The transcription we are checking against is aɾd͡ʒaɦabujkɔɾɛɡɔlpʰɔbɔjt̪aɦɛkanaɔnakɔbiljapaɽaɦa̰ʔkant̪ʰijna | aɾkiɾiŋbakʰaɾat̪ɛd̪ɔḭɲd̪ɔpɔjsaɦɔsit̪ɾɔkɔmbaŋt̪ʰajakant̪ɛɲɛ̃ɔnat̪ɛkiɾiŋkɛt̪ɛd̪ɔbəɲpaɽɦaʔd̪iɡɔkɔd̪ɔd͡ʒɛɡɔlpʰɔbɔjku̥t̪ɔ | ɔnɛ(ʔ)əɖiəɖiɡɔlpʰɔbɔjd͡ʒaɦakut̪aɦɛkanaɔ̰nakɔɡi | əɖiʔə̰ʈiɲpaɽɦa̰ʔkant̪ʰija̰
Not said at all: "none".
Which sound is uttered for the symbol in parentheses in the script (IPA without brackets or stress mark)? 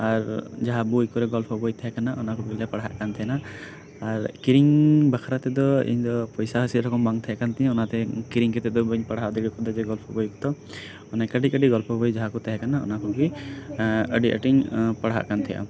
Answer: k